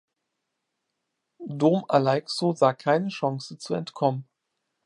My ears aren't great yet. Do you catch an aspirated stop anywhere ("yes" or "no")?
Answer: yes